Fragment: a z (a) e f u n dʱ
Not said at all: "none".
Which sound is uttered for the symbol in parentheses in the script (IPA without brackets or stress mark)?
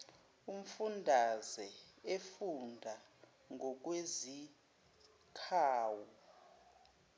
ɛ